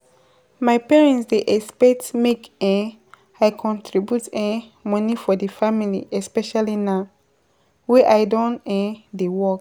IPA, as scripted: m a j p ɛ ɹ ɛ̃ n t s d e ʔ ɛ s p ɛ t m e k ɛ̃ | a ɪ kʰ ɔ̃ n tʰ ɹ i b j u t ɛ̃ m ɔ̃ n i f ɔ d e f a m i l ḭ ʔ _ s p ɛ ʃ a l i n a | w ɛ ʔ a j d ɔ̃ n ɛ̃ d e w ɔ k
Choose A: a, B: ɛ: B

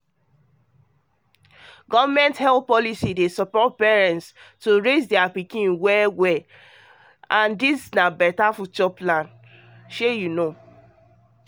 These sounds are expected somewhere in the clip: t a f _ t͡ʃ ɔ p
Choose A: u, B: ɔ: A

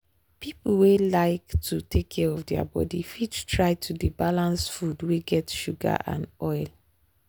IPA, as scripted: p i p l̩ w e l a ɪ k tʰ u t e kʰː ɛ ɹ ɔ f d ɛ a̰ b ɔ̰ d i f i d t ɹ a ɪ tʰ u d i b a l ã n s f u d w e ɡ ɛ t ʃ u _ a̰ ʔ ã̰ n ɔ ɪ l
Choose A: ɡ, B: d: A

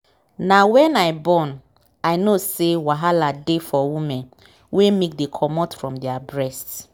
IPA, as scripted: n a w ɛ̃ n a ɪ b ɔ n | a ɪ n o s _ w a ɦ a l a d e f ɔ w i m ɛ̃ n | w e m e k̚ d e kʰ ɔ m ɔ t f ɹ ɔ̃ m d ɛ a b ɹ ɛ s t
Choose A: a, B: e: B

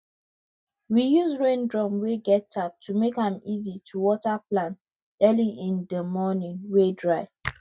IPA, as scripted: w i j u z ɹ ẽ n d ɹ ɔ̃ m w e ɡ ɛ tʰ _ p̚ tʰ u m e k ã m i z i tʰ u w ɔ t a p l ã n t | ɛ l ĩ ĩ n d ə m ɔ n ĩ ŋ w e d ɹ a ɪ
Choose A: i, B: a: B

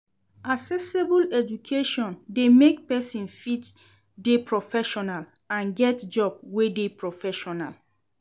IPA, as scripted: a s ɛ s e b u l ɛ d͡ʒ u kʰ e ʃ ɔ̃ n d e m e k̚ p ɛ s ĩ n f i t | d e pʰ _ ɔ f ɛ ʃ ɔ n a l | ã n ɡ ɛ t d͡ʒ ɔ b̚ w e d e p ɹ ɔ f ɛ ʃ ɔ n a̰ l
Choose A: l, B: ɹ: B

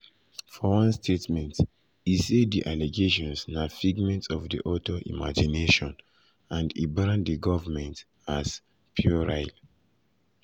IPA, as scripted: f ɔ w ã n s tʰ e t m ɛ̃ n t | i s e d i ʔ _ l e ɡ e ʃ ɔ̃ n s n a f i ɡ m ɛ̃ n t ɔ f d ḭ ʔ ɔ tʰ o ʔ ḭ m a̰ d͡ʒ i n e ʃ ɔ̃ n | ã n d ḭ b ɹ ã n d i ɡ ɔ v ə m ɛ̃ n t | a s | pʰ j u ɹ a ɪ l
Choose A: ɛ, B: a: B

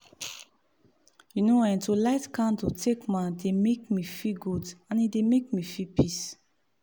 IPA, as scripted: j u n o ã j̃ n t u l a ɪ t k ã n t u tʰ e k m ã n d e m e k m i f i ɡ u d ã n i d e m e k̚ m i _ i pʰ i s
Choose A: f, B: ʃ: A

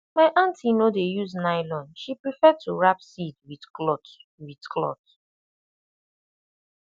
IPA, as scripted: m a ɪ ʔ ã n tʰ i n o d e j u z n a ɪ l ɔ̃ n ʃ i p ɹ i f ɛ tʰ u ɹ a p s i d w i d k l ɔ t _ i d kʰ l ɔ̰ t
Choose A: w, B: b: A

